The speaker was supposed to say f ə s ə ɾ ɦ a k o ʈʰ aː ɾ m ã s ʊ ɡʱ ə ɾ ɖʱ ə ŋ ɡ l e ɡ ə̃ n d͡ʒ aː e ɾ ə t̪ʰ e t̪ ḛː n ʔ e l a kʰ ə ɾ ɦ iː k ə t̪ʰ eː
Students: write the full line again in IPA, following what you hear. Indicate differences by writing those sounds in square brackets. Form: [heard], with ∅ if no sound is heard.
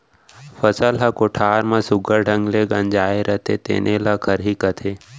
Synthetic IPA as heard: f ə s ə [l] ɦ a k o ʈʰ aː ɾ m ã s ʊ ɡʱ ə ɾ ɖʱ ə ŋ ɡ l e ɡ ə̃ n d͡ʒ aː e ɾ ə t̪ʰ e t̪ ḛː n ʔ e l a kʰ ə ɾ ɦ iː k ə t̪ʰ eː